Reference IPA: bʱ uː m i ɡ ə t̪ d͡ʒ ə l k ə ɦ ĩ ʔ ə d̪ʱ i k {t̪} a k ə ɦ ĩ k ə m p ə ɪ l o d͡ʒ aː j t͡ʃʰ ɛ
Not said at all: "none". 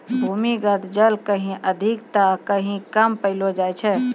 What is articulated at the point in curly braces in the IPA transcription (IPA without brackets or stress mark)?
t̪